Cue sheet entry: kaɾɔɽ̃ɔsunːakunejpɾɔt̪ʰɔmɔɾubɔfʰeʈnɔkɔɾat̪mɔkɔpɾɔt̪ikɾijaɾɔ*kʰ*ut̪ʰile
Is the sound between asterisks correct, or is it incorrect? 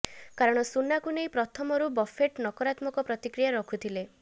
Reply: correct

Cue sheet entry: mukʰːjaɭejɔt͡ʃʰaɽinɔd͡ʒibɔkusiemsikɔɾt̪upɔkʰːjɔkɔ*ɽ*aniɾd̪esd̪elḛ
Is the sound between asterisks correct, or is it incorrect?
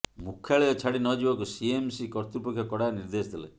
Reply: correct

